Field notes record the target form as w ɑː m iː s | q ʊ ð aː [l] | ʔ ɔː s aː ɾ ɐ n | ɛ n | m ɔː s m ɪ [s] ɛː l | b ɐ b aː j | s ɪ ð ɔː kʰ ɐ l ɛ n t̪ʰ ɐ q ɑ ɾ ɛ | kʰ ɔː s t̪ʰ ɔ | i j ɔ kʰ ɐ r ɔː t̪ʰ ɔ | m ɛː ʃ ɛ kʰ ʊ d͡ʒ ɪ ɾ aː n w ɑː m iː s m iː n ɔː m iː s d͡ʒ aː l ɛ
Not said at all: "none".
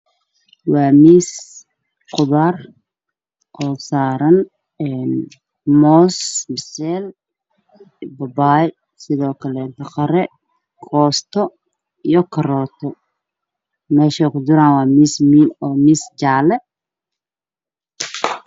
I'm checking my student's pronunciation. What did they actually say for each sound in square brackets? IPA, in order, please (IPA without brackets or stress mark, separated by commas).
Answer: r, s